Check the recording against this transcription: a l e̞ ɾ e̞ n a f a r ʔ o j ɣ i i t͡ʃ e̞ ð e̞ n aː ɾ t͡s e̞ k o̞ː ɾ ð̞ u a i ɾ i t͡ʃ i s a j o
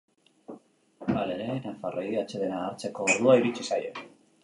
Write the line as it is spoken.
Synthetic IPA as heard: a l e̞ ɾ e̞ n a f a r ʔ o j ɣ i a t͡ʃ e̞ ð e̞ n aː ɾ t͡s e̞ k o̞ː ɾ ð̞ u a i ɾ i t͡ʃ i s a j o